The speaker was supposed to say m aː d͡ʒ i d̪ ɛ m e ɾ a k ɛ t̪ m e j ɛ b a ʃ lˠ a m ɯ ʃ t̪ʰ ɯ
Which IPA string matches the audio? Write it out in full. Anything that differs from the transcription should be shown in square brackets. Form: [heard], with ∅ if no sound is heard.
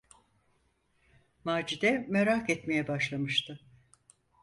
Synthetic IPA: m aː d͡ʒ i d̪ ɛ m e ɾ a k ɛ t̪ m e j ɛ b a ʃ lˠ a m ɯ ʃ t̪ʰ ɯ